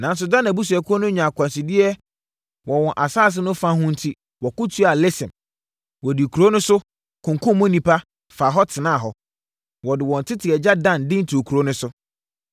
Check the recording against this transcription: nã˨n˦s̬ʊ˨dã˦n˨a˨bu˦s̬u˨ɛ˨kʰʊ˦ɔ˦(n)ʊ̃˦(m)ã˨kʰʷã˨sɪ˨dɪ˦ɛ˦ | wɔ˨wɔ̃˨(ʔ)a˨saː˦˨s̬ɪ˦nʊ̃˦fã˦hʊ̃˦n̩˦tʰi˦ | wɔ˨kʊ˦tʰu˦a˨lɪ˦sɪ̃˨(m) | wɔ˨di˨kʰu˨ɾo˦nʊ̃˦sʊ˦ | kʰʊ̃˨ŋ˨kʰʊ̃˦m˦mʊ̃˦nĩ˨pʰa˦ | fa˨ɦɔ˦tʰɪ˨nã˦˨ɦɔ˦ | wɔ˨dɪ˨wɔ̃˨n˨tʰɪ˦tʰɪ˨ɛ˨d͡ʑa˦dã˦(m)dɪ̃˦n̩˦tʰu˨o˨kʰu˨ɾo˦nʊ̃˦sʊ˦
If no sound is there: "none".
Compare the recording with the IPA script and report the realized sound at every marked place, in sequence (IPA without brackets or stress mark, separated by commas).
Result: n, ɲ, ʔ, m, n